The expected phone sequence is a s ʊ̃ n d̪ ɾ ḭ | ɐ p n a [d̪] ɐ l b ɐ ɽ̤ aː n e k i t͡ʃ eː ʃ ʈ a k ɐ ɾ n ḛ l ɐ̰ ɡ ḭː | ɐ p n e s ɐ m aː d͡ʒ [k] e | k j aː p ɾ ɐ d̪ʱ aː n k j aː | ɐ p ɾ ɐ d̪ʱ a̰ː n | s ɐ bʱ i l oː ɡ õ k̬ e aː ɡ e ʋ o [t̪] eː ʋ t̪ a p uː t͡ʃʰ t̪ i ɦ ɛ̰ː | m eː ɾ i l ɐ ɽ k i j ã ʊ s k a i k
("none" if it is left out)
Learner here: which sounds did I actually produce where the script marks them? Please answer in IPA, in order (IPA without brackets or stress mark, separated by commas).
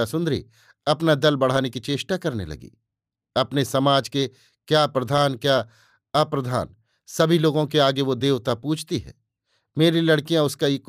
d̪, k, d̪